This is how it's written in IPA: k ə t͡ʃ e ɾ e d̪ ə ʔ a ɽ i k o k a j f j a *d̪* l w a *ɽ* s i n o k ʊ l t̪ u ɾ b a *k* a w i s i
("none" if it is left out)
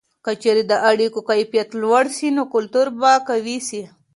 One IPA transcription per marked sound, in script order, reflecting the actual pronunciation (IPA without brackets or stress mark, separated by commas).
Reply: t̪, ɽ, k